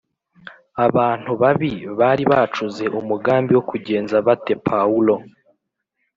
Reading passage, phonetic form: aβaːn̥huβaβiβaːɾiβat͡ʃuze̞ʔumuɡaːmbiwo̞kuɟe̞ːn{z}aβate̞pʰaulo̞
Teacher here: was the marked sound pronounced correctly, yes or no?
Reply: yes